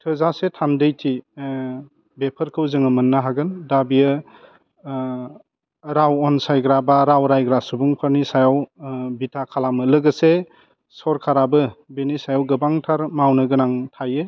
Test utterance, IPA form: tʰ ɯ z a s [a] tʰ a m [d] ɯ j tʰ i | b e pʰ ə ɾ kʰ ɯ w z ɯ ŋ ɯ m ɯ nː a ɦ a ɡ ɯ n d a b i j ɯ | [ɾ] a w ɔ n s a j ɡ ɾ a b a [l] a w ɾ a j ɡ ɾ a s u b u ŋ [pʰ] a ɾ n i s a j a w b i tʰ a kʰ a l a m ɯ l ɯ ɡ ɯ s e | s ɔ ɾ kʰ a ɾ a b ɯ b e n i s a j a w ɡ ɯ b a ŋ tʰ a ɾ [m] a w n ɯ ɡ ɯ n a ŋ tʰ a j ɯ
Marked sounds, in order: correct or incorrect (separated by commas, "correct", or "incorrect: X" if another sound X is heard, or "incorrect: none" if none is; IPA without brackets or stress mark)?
incorrect: e, correct, correct, incorrect: ɾ, correct, correct